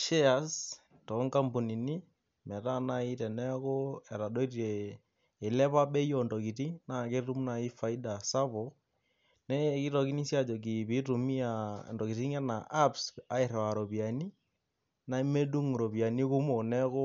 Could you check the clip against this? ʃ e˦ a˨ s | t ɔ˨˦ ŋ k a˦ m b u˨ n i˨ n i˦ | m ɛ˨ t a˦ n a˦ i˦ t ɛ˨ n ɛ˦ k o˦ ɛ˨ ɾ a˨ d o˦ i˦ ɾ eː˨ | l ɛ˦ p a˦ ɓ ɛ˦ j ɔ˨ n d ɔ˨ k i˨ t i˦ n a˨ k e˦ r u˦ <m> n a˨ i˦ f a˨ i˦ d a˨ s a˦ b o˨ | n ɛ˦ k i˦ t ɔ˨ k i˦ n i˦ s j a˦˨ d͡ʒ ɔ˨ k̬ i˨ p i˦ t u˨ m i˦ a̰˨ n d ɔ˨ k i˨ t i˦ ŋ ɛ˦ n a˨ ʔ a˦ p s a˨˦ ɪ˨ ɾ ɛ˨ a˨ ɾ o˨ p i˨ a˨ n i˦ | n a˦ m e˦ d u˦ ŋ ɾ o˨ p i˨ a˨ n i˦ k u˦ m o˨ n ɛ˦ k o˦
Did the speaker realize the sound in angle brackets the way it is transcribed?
yes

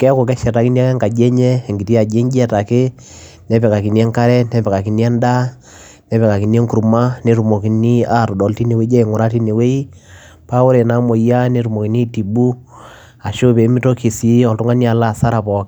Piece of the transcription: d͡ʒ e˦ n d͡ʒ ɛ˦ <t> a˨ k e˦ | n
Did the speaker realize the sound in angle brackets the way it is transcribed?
yes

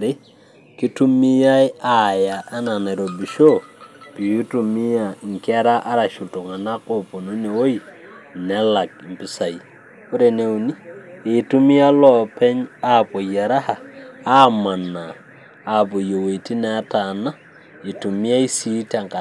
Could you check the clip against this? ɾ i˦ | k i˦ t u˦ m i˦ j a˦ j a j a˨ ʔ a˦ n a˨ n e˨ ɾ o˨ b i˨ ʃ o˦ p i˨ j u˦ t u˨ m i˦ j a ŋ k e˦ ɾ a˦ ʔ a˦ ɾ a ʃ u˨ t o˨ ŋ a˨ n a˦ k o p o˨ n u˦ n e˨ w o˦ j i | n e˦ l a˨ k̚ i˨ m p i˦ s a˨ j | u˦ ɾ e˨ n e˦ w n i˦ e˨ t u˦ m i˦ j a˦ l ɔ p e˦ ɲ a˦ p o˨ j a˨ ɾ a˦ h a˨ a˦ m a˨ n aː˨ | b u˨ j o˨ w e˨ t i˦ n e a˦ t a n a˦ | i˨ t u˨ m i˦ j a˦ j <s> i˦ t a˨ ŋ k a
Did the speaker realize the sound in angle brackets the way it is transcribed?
yes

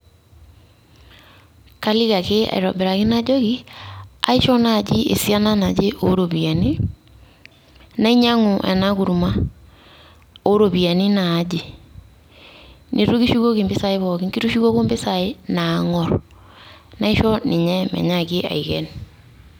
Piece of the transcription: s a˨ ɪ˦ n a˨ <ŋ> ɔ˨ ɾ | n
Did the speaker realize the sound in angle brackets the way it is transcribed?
yes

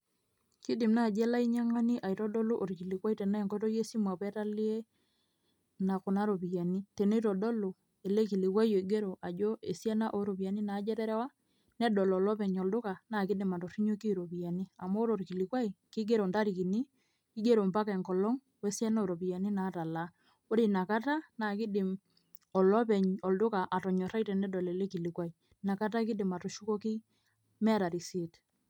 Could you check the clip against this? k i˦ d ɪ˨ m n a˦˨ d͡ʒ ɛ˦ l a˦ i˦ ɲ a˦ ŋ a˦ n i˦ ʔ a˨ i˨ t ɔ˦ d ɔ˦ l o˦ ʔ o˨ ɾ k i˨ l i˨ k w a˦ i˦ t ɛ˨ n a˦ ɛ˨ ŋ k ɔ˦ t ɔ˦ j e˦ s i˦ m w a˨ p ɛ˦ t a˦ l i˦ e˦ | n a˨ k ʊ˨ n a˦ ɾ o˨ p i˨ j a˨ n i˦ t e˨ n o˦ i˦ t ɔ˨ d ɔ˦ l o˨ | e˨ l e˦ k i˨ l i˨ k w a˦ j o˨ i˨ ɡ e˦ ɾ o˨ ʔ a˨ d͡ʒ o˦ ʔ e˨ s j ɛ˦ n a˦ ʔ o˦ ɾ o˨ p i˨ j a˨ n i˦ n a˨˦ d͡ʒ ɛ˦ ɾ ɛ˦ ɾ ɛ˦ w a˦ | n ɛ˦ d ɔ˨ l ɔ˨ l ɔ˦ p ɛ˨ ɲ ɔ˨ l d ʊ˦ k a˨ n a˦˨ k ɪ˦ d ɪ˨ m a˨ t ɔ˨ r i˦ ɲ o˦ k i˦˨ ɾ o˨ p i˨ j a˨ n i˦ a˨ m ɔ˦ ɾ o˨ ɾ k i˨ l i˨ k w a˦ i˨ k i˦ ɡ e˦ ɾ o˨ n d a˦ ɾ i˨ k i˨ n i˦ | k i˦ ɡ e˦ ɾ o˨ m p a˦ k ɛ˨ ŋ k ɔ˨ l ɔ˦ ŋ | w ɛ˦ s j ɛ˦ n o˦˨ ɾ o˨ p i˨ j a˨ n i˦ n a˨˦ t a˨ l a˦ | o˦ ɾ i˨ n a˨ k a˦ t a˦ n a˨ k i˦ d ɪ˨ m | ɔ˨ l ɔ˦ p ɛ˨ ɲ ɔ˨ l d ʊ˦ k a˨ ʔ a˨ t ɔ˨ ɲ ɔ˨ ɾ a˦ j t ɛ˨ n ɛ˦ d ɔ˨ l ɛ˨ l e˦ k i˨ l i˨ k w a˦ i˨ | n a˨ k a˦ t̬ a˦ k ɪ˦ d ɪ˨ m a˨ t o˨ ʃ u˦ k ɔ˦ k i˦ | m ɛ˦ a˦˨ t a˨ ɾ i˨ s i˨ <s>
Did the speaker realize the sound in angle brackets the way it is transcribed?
no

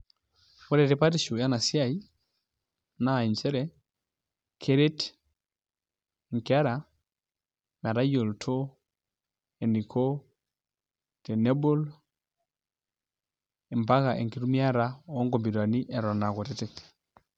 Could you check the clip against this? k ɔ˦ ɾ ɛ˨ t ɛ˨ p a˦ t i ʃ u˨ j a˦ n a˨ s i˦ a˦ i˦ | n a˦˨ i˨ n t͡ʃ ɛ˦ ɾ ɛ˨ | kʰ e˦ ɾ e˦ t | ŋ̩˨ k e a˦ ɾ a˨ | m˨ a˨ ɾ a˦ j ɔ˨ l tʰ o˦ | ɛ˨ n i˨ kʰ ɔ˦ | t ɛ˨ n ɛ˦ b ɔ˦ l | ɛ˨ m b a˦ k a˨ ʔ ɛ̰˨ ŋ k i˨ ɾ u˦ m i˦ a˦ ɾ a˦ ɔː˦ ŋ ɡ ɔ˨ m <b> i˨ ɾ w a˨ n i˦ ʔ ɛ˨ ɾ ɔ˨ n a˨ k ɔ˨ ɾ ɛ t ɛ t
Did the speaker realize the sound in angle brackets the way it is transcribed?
yes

